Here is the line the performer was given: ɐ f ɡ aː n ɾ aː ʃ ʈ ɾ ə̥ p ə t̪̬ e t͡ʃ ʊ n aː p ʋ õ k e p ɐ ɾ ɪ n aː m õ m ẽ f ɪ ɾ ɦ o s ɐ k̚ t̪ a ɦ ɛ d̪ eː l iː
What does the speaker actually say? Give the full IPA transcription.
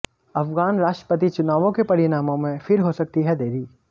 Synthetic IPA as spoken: ɐ f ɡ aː n ɾ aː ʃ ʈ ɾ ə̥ p ə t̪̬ i t͡ʃ ʊ n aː ʋ õ k e p ɐ ɾ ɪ n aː m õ m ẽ f ɪ ɾ ɦ o s ɐ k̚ t̪ i ɦ ɛ d̪ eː ɾ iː